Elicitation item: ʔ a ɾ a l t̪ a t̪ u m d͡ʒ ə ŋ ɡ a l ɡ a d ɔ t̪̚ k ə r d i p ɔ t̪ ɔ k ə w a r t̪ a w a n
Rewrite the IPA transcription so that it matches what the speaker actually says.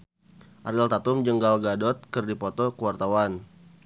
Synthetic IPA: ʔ a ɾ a l t̪ a t̪ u m d͡ʒ ə ŋ ɡ a l ɡ a d ɔ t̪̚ k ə r d i p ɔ t̪ ɔ k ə w a r t̪ a w a n